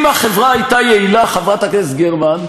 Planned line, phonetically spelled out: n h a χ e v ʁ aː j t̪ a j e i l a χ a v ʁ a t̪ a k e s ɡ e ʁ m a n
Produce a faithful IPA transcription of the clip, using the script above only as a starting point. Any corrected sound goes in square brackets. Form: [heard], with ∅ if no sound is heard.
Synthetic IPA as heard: [m] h a χ e v ʁ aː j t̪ a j e i l a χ a v ʁ a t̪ a k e s ɡ e ʁ m a n